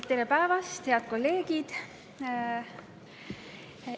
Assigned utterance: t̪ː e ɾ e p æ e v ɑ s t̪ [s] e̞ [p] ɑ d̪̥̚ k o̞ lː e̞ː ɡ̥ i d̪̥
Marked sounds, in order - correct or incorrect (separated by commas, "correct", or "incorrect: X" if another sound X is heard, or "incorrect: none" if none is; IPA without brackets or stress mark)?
incorrect: h, incorrect: none